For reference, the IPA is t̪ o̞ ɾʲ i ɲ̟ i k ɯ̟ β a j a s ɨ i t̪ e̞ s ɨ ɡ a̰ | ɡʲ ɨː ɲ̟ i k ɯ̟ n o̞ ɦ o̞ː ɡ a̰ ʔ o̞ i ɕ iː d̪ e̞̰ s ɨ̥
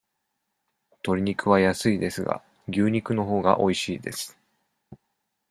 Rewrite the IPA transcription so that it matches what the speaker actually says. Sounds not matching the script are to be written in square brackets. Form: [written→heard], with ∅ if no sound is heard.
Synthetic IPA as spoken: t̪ o̞ ɾʲ i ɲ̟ i k ɯ̟ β a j a s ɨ i [t̪→d̪] e̞ s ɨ ɡ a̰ | ɡʲ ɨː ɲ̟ i k ɯ̟ n o̞ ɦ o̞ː ɡ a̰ ʔ o̞ i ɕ iː d̪ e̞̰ s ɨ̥